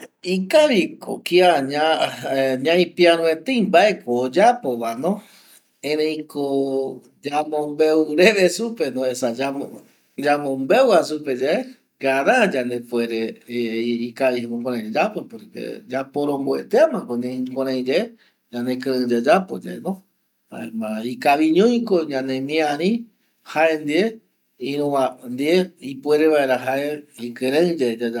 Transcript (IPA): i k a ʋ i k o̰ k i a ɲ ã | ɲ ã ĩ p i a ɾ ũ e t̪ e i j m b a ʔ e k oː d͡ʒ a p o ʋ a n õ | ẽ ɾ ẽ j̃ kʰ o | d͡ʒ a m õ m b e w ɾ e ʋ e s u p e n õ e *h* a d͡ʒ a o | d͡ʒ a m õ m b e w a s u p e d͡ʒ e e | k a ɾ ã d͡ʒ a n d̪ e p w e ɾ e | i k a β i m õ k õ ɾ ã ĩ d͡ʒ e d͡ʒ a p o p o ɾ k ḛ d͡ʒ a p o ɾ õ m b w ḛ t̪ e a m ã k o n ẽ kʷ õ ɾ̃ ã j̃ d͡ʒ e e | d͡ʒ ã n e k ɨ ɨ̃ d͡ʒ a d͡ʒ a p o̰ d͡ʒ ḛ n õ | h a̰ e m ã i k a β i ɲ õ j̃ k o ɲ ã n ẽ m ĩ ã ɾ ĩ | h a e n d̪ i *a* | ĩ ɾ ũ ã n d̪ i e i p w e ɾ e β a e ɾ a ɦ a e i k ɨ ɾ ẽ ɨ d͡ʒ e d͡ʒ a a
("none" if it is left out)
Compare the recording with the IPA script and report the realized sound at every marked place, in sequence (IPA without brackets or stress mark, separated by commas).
s, e